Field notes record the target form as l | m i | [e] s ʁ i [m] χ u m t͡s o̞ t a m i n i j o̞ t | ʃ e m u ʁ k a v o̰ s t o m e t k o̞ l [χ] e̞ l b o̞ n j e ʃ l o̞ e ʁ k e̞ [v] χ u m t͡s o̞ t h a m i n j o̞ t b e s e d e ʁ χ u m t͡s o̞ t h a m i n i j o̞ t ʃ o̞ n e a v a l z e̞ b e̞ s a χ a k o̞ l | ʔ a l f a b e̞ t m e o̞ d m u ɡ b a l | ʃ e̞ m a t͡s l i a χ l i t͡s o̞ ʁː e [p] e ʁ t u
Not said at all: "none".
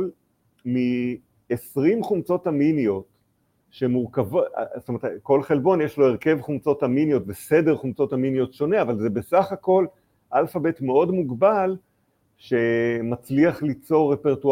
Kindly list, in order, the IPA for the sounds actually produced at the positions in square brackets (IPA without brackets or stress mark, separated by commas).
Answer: e, m, χ, v, p